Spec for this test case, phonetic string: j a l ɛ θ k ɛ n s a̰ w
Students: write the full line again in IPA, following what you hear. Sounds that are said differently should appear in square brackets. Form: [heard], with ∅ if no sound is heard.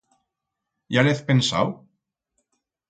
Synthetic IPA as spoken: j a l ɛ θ [p] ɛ n s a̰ w